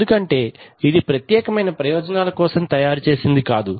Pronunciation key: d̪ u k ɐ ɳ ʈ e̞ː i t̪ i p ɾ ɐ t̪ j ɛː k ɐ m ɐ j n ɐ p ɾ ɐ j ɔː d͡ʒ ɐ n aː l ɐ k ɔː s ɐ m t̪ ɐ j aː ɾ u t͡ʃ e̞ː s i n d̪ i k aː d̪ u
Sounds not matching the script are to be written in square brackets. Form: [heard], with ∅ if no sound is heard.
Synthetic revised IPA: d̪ u k ɐ ɳ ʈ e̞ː i [d̪] i p ɾ ɐ t̪ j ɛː k ɐ m ɐ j n ɐ p ɾ ɐ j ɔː d͡ʒ ɐ n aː l ɐ k ɔː s ɐ m t̪ ɐ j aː ɾ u t͡ʃ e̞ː s i n d̪ i k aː d̪ u